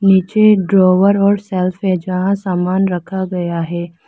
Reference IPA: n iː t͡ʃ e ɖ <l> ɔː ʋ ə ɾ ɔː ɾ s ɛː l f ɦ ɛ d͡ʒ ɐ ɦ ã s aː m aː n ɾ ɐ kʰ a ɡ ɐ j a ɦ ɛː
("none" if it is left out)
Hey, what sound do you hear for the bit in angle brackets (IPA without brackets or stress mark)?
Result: ɾ